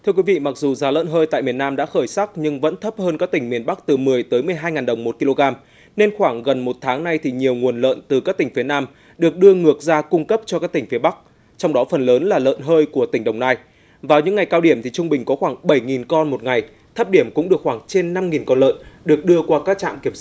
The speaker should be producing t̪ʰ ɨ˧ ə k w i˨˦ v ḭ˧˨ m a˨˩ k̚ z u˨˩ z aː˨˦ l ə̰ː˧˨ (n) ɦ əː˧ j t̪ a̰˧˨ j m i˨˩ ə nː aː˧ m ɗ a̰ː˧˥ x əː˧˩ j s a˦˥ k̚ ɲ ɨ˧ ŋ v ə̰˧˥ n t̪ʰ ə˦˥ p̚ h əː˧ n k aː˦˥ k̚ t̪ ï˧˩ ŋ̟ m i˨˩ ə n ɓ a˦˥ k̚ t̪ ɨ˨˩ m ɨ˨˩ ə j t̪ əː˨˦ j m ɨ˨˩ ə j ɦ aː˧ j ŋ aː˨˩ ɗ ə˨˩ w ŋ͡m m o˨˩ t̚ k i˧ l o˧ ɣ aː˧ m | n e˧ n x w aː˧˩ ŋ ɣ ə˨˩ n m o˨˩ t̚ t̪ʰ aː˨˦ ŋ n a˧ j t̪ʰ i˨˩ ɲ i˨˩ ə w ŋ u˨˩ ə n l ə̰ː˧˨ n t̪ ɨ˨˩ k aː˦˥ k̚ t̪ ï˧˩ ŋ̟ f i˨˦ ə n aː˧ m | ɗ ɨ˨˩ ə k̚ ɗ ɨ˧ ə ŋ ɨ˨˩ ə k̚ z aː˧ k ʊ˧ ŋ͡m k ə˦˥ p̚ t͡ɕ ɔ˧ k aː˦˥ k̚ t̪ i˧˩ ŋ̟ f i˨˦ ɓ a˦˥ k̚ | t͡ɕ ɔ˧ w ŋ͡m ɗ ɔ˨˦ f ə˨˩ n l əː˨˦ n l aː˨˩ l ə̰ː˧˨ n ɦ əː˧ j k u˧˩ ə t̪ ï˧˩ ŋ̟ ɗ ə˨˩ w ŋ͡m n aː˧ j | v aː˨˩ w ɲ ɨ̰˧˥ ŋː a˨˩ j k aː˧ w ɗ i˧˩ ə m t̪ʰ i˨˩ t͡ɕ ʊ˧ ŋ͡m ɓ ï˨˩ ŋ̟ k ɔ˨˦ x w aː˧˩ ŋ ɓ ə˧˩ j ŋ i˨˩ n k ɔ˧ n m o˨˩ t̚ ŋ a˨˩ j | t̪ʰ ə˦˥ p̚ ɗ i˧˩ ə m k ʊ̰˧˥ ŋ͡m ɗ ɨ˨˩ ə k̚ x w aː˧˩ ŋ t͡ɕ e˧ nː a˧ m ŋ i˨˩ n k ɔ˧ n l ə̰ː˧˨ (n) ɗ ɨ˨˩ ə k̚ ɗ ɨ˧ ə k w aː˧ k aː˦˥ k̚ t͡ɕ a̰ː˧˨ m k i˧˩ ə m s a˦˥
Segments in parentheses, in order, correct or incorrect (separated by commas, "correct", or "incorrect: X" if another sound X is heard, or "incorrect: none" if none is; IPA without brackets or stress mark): correct, correct